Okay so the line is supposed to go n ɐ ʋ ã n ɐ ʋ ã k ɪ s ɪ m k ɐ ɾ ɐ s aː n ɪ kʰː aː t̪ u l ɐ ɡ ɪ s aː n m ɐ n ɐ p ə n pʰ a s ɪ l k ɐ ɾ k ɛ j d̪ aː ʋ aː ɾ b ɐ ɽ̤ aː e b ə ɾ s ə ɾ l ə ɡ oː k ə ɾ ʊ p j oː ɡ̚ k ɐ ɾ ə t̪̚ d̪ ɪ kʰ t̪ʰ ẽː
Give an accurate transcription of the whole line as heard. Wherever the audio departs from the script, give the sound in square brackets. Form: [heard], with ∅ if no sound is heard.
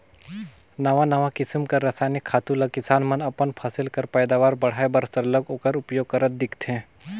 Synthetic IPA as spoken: n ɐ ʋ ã n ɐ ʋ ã k ɪ s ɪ m k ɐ ɾ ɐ s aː n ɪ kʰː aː t̪ u l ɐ [k] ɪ s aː n m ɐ n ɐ p ə n pʰ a s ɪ l k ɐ ɾ [p] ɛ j d̪ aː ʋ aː ɾ b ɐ ɽ̤ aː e b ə ɾ s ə ɾ l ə ɡ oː k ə ɾ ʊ p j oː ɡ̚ k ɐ ɾ ə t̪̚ d̪ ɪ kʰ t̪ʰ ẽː

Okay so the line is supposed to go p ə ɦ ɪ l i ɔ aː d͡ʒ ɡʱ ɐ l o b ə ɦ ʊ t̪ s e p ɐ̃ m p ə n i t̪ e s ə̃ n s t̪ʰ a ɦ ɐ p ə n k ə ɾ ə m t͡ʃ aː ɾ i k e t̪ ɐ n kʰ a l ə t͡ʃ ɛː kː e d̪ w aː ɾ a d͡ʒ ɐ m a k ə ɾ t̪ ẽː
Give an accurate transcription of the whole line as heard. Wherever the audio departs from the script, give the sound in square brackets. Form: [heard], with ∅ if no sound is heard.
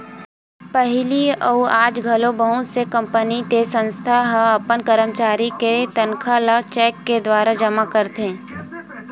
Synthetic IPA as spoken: p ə ɦ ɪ l i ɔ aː d͡ʒ ɡʱ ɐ l o b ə ɦ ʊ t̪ s e [k] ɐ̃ m p ə n i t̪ e s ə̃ n s t̪ʰ a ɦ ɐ p ə n k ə ɾ ə m t͡ʃ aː ɾ i k e t̪ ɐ n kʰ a l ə t͡ʃ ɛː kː e d̪ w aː ɾ a d͡ʒ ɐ m a k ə ɾ t̪ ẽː

